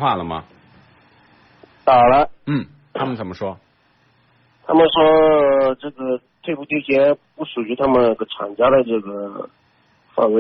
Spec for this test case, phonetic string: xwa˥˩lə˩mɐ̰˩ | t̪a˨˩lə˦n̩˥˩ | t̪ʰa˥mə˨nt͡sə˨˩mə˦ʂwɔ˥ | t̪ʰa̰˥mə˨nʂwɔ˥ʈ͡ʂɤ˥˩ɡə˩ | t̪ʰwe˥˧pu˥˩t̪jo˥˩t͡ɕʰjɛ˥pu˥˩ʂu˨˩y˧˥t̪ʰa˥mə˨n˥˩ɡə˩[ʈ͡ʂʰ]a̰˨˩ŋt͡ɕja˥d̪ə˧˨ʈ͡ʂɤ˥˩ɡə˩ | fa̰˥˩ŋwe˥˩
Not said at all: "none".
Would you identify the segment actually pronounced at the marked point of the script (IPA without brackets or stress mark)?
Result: ʈ͡ʂʰ